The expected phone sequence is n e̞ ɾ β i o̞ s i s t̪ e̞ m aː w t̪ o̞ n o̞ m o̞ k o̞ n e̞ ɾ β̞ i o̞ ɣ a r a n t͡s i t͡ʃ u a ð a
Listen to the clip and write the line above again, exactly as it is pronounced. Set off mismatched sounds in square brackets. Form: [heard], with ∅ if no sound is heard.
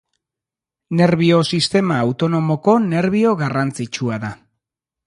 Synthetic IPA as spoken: n e̞ ɾ β i o̞ s i s t̪ e̞ m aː w t̪ o̞ n o̞ m o̞ k o̞ n e̞ ɾ β̞ i o̞ ɣ a r a n t͡s i t͡ʃ u a ð a